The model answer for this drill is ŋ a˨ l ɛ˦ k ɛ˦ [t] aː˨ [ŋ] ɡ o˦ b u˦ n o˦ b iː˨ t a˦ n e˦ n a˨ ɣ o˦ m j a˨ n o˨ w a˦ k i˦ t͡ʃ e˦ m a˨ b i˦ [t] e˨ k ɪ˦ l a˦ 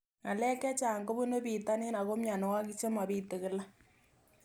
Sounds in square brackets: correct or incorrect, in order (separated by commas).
incorrect, correct, correct